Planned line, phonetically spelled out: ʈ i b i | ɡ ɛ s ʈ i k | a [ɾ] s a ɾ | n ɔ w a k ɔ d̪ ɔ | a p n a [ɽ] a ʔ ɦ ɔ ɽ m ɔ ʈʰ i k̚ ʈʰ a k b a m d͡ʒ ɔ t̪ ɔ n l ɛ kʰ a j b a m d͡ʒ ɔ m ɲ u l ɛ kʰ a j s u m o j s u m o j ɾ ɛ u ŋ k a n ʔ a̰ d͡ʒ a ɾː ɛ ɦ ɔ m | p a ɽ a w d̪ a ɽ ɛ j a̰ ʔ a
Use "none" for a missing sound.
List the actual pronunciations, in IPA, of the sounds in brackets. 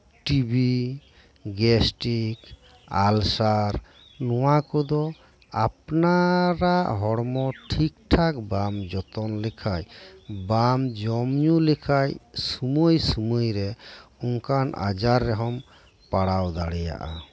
l, ɾ

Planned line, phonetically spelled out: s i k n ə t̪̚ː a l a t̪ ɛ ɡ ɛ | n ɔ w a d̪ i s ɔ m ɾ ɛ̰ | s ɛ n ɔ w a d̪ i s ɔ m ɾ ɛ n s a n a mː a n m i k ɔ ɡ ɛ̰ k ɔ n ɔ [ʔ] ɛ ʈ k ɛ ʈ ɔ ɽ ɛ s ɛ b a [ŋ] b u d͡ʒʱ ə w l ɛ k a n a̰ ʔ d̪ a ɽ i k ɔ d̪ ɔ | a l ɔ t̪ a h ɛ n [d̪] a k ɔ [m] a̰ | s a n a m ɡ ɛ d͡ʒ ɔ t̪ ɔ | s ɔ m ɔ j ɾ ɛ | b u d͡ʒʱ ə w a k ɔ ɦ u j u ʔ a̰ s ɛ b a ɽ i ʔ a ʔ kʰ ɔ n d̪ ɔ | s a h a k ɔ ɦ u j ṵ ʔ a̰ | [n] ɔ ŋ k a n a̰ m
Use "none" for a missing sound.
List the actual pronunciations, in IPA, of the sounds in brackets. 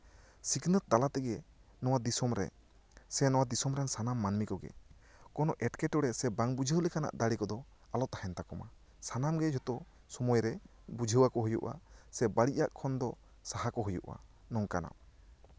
ʔ, ŋ, t̪, m, n

